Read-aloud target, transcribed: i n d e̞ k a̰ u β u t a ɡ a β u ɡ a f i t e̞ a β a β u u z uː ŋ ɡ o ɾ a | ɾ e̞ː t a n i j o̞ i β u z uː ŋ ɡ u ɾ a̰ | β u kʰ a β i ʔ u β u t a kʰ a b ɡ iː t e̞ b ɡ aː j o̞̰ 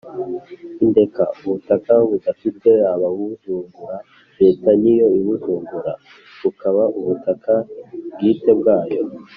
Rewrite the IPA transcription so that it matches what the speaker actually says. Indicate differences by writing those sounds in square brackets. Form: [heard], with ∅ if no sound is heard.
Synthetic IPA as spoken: i n d e̞ k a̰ u β u t a [k] a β u [d] a f i t e̞ a β a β u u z uː ŋ ɡ [u] ɾ a | ɾ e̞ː t a n i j o̞ i β u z uː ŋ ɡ u ɾ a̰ | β u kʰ a β [a] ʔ u β u t a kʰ a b ɡ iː t e̞ b ɡ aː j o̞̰